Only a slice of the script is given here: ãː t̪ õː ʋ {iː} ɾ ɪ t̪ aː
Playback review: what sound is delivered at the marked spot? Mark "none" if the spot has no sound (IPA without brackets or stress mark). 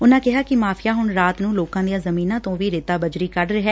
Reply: iː